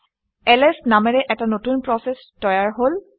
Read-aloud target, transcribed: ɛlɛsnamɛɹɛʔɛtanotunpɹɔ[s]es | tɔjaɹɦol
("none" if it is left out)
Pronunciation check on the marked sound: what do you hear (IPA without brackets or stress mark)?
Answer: s